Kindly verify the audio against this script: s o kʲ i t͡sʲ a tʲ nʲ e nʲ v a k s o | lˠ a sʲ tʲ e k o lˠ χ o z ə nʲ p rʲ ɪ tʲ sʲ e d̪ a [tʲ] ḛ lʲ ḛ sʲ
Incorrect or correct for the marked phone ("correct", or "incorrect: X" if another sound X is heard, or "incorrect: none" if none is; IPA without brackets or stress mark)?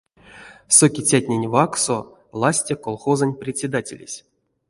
correct